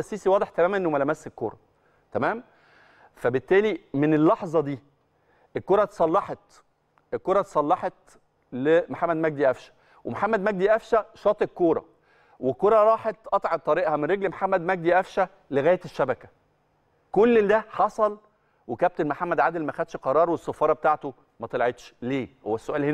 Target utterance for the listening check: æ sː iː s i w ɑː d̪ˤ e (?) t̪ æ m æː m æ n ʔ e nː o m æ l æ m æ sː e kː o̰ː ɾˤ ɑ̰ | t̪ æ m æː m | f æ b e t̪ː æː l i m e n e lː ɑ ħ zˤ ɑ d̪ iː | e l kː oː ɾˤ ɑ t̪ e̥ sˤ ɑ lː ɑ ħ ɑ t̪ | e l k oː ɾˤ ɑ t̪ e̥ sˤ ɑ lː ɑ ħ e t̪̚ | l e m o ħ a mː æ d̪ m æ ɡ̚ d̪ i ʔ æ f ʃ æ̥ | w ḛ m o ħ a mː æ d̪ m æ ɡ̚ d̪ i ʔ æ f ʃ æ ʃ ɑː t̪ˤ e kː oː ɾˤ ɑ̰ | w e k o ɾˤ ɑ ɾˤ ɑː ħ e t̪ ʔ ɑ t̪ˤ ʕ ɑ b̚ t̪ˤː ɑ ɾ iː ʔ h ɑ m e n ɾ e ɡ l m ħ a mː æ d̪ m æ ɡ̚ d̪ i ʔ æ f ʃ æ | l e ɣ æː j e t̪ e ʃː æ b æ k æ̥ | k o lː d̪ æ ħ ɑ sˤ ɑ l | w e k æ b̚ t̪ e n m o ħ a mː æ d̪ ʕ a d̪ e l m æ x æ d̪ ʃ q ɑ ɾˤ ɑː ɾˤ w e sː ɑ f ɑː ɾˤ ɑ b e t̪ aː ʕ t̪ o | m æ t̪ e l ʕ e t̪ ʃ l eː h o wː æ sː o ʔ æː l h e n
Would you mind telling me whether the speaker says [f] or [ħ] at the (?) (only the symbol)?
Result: ħ